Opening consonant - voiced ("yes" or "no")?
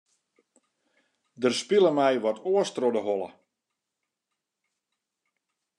yes